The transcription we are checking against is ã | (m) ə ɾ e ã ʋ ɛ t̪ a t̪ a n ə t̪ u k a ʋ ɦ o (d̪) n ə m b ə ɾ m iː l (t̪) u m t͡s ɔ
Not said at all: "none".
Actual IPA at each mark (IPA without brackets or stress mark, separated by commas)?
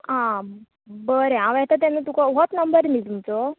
b, t̪, t̪